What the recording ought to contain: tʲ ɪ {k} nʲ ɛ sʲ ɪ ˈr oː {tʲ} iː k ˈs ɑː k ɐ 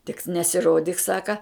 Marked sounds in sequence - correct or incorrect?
correct, incorrect: dʲ

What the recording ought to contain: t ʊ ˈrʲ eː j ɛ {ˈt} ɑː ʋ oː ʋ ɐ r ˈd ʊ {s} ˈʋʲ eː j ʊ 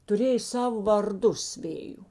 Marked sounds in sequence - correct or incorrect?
incorrect: s, correct

